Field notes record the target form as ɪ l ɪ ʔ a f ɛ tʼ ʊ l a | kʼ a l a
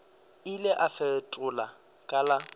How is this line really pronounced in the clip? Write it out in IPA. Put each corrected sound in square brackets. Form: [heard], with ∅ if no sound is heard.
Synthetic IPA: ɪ l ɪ ʔ a f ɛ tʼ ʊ l a | kʼ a l a